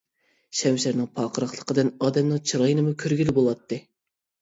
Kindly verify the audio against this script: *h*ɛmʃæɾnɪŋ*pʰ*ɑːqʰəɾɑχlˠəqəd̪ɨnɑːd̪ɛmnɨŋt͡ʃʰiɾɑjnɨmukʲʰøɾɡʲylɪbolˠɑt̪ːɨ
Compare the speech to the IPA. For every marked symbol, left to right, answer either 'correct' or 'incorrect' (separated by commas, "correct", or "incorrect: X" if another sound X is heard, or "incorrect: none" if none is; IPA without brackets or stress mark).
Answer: incorrect: ʃ, correct